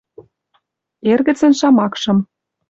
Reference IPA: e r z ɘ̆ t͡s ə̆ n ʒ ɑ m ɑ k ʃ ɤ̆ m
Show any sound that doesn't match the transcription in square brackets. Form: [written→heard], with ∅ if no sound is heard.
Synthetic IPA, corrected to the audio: e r [z→ɣ] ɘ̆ t͡s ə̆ n [ʒ→ʃ] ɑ m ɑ k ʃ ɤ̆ m